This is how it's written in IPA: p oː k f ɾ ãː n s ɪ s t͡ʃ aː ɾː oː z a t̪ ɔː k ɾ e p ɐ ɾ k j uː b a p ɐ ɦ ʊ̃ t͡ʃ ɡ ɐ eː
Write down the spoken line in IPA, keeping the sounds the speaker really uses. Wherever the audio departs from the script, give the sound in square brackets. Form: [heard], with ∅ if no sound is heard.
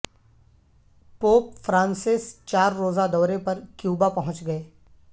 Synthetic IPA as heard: p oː [p] f ɾ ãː n s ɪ s t͡ʃ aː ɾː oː z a [d̪] ɔː [∅] ɾ e p ɐ ɾ k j uː b a p ɐ ɦ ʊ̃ t͡ʃ ɡ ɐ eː

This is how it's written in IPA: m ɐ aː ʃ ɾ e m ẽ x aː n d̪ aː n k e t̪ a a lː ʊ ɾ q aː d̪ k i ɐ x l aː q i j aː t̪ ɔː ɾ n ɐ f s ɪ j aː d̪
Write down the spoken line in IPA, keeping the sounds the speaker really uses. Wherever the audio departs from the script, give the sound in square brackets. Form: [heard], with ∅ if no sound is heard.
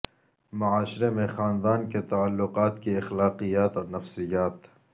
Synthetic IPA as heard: m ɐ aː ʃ ɾ e m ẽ x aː n d̪ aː n k e t̪ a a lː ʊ [∅] q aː [t̪] k i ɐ x l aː q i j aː t̪ ɔː ɾ n ɐ f s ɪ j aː [t̪]

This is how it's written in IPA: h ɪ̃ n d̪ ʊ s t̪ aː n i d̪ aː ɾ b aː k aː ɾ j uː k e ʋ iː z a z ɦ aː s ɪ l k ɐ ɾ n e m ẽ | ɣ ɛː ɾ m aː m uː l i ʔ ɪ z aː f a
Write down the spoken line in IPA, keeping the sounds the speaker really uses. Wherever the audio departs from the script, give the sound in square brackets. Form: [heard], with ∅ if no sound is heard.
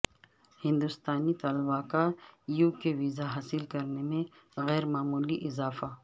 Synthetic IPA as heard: h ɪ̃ n d̪ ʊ s t̪ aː n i [t̪] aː [l] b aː k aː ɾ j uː k e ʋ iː z a [∅] ɦ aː s ɪ l k ɐ ɾ n e m ẽ | ɣ ɛː ɾ m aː m uː l i ʔ ɪ z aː f a

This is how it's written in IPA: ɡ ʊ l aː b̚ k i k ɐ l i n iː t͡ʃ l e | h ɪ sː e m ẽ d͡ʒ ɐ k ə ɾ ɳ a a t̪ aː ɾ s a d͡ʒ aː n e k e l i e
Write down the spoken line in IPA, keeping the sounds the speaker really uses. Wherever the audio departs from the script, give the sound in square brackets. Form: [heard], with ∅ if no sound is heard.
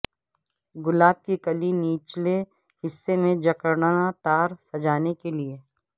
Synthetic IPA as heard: ɡ ʊ l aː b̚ k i k ɐ l i n iː t͡ʃ l e | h ɪ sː e m ẽ d͡ʒ ɐ k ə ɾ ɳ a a t̪ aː ɾ s [ɐ] d͡ʒ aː n e k e l i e

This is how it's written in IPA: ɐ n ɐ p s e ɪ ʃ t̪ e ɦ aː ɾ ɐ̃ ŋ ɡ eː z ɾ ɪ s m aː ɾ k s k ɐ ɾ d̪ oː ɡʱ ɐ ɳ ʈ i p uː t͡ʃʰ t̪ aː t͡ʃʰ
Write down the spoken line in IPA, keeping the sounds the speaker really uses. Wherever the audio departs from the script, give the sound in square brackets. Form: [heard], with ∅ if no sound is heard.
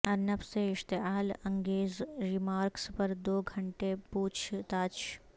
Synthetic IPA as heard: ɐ n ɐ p s e ɪ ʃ t̪ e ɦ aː [l] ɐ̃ ŋ ɡ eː z ɾ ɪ [∅] m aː ɾ k s [p] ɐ ɾ d̪ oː ɡʱ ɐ ɳ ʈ [e] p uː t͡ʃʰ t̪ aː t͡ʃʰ

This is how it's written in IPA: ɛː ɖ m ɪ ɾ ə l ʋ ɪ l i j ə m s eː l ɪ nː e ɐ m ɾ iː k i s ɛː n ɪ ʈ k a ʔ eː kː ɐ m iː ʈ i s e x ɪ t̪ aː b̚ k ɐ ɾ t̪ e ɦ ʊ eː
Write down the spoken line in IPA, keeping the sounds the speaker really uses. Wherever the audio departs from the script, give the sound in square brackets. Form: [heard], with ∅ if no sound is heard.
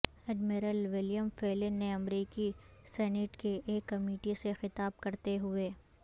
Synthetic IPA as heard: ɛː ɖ m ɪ ɾ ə l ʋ ɪ l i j ə m [f] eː l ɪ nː e ɐ m ɾ iː k i s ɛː n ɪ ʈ k [e] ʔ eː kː ɐ m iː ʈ i s e x ɪ t̪ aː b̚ k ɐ ɾ t̪ e ɦ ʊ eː

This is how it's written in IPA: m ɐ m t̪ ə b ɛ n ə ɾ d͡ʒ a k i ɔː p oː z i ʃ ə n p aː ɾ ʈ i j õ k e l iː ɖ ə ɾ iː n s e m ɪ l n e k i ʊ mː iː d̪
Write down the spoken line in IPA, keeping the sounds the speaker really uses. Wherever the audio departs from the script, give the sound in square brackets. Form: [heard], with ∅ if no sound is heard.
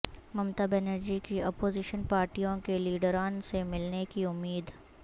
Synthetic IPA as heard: m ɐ m t̪ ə b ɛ n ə ɾ d͡ʒ [i] k i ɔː p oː z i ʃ ə n p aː ɾ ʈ i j õ k e l iː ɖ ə ɾ [aː] n s e m ɪ l n e k i ʊ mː iː d̪

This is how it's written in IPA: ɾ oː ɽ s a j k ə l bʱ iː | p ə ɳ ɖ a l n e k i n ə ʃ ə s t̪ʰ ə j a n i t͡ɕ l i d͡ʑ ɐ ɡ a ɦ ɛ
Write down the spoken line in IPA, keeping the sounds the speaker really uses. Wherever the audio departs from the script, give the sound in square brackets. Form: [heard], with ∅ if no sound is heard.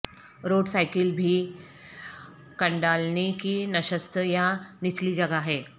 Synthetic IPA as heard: ɾ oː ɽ s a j k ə l bʱ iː | [k] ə ɳ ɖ a l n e k i n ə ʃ ə s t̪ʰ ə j a n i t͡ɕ l i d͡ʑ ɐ ɡ a ɦ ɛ

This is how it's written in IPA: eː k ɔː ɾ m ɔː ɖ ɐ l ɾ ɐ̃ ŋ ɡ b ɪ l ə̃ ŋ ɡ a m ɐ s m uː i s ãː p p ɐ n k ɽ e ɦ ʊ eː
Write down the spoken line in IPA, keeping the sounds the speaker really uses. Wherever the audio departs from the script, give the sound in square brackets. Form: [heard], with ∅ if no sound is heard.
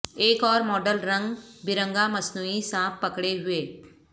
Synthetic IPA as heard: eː k ɔː ɾ m ɔː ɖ [ə] l ɾ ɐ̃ ŋ ɡ b ɪ [ɾ] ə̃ ŋ ɡ a m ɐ s [n] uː i s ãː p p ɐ [∅] k ɽ e ɦ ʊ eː

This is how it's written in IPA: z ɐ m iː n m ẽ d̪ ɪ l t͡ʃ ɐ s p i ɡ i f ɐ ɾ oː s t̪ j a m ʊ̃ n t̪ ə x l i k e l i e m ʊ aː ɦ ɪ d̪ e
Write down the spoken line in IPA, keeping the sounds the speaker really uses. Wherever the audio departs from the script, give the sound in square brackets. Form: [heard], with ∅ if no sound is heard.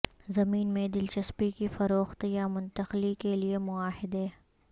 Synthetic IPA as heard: z ɐ m iː n m ẽ d̪ ɪ l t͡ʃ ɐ s p i [k] i f ɐ ɾ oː [x] t̪ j a m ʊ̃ n t̪ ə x l i k e l i e m ʊ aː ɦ ɪ d̪ e

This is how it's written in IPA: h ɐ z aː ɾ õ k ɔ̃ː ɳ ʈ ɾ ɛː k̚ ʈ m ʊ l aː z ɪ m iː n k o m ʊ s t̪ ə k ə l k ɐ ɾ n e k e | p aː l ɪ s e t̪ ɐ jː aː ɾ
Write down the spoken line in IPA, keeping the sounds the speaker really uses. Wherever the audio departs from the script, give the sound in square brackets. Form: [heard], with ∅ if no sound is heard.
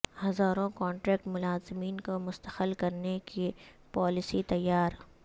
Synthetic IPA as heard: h ɐ z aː ɾ õ k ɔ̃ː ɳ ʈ ɾ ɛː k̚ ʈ m ʊ l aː z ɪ m iː n k o m ʊ s t̪ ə [x] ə l k ɐ ɾ n e k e | p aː l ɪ s [i] t̪ ɐ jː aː ɾ

